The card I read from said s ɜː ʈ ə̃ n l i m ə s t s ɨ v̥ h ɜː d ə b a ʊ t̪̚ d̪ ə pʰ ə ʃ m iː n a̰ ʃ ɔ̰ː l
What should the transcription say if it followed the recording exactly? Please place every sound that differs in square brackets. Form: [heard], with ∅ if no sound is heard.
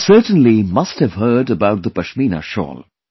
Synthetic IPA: s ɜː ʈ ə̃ n l i m [ʌ] s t [h] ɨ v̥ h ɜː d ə b a ʊ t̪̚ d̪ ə [p] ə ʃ m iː n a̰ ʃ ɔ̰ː l